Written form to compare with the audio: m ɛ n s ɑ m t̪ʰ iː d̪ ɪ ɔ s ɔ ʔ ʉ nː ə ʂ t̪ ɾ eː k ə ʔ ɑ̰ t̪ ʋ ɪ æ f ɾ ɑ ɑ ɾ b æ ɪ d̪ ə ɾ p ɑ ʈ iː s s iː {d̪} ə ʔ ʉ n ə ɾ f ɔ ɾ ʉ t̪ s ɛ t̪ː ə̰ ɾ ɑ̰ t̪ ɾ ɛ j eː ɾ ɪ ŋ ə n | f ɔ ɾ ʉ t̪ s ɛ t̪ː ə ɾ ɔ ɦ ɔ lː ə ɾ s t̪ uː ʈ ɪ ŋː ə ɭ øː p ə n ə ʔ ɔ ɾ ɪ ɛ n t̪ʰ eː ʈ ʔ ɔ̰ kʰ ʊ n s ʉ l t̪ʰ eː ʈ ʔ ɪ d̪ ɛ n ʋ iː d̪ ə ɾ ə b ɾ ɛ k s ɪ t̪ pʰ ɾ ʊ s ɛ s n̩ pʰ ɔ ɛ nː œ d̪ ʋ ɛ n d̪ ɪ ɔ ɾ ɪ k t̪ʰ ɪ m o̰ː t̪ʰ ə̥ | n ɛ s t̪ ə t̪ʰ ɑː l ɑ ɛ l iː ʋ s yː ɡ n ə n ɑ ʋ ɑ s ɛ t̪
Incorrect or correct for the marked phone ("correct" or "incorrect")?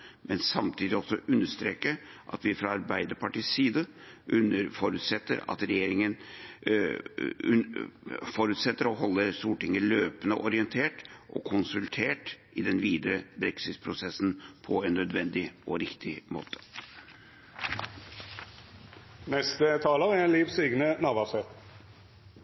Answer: correct